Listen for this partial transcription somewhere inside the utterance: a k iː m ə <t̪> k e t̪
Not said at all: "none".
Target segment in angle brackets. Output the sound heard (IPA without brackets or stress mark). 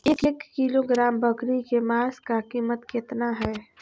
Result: t̪